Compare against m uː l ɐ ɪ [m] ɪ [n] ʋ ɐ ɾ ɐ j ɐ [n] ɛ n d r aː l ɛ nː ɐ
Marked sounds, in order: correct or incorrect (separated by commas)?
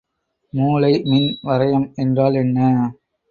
correct, correct, incorrect